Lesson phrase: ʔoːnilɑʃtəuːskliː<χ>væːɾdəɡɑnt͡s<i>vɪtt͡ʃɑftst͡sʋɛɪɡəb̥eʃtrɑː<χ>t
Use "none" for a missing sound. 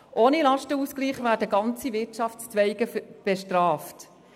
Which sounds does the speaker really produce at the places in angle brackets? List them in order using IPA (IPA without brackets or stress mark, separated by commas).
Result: χ, i, f